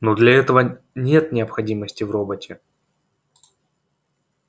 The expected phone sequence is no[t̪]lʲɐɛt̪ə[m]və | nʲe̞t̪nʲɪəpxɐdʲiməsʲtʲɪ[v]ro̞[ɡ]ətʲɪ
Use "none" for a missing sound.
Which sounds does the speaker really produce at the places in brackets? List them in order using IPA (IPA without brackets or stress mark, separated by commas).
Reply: d̪, none, v, b